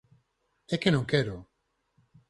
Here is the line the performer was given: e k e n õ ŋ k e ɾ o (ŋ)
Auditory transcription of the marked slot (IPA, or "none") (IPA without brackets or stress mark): none